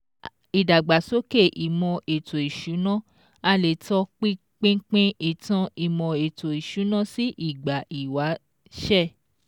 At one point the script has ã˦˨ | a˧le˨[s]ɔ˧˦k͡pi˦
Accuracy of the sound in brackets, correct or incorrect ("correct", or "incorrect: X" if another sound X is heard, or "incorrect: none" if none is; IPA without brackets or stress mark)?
incorrect: t